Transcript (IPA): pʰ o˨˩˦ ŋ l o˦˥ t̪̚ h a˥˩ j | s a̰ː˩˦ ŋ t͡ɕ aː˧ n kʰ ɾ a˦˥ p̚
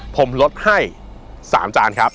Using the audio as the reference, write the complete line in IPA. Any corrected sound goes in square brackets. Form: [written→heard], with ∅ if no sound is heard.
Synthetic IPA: pʰ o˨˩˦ [ŋ→m] l o˦˥ t̪̚ h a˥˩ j | s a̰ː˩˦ [ŋ→m] t͡ɕ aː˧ n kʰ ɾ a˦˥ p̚